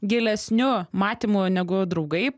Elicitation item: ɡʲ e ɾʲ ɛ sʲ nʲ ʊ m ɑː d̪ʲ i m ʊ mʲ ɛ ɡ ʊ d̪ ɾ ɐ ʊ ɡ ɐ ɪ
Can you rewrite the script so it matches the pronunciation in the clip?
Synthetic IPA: ɡʲ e lʲ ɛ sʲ nʲ ʊ m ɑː t̪ʲ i m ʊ nʲ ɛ ɡ ʊ d̪ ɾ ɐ ʊ ɡ ɐ ɪ